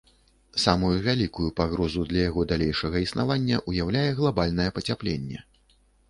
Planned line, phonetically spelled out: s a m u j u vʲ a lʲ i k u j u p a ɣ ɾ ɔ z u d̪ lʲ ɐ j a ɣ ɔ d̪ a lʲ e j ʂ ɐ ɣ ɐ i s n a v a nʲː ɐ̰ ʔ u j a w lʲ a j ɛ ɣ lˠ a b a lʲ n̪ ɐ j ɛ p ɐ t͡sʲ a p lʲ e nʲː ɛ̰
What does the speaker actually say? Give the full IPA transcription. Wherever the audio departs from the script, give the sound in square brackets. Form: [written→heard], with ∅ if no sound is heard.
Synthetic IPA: s a m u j u vʲ a lʲ i k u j u p a ɣ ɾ ɔ z u d̪ lʲ ɐ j a ɣ ɔ d̪ a lʲ e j ʂ ɐ ɣ ɐ i s n a v a nʲː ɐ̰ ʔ u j a w lʲ a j ɛ ɣ lˠ a b a lʲ n̪ ɐ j ɛ p ɐ t͡sʲ a p lʲ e nʲː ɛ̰